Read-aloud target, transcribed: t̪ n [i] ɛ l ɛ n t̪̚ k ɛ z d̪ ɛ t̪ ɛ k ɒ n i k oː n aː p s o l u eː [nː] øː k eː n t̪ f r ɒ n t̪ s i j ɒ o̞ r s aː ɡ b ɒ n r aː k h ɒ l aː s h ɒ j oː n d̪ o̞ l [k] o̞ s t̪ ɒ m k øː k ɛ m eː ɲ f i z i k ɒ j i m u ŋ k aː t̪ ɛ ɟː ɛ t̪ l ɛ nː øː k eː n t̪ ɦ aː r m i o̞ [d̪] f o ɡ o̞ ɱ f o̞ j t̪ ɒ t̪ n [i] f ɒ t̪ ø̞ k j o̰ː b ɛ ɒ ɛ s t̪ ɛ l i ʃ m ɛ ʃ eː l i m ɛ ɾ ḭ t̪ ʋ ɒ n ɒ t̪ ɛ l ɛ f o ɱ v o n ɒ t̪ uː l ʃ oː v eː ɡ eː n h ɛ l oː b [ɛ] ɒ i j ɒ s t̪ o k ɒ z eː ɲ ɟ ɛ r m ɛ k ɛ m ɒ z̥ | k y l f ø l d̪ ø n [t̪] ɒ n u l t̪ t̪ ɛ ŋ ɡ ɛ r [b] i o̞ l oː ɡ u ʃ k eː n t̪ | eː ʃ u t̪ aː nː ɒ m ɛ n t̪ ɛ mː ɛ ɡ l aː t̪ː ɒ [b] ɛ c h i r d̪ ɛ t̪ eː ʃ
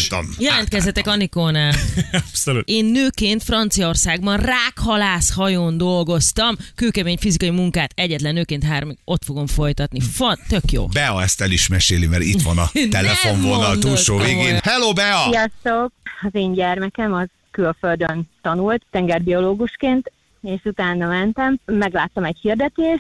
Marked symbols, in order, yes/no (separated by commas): no, yes, no, no, yes, yes, yes, yes, no